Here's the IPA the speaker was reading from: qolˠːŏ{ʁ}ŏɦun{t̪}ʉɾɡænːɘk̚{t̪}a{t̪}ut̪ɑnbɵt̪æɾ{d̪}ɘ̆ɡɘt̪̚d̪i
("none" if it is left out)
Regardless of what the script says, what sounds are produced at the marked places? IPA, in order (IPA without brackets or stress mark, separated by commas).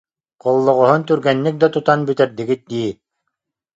ʁ, t̪, d̪, t̪, d̪